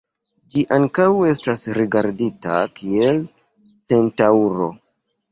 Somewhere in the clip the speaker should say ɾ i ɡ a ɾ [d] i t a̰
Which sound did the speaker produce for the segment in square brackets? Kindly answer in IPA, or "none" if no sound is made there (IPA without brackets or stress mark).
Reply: d